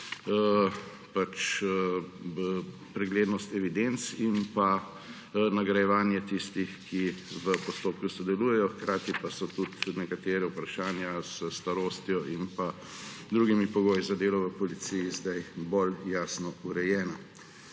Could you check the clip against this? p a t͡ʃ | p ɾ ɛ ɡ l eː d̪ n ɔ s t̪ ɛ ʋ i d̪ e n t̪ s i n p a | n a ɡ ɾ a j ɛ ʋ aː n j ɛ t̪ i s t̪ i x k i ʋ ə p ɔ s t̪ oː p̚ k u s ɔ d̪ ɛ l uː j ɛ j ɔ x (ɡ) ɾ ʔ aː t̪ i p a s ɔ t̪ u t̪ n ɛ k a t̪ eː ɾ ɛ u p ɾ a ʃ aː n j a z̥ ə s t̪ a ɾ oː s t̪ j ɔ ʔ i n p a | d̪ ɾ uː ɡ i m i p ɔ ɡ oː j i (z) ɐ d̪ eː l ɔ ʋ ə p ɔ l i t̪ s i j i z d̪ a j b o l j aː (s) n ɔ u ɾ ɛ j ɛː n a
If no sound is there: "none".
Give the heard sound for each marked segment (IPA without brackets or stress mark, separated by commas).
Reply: k, z, s